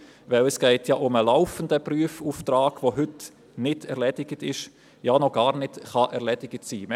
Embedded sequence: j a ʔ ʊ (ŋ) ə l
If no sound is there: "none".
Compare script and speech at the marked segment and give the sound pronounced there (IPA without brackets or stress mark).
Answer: m